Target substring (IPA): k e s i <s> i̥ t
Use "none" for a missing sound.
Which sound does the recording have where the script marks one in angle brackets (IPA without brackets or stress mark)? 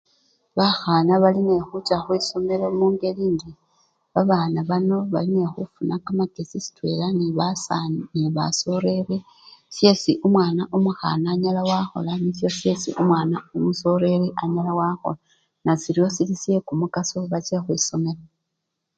s